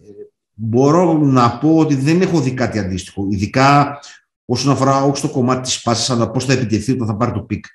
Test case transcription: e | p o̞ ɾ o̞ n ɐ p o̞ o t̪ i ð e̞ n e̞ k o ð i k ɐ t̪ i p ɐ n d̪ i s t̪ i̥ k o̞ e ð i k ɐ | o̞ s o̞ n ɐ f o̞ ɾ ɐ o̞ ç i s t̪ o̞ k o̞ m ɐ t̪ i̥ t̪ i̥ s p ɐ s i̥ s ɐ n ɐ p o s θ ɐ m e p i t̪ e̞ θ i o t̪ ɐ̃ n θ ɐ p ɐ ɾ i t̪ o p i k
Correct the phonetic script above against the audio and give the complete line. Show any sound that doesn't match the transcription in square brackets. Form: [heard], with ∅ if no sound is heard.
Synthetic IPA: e | [b] o̞ ɾ o̞ n ɐ p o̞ o t̪ i ð e̞ n e̞ [x] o ð i k ɐ t̪ i [∅] ɐ n d̪ i s t̪ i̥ [x] o̞ [i] ð i k ɐ | o̞ s o̞ n ɐ f o̞ ɾ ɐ o̞ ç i s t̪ o̞ k o̞ m ɐ t̪ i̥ t̪ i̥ s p ɐ s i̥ s ɐ n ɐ p o s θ ɐ [∅] e p i t̪ e̞ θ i o t̪ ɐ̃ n θ ɐ p ɐ ɾ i t̪ o p i k